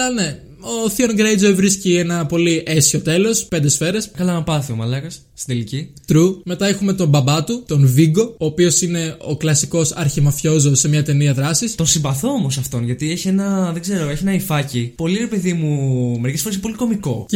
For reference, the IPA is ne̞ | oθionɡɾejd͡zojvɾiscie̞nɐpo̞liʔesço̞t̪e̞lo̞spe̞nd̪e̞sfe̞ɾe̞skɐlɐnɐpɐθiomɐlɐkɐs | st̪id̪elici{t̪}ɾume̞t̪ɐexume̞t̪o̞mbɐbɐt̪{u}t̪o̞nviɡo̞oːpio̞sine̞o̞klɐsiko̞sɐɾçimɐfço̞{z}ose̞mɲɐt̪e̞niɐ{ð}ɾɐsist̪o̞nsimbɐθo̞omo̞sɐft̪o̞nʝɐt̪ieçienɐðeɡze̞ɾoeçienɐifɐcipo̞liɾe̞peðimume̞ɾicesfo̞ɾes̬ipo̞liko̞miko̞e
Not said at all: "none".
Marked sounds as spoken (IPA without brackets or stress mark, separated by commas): t̪, u, z, ð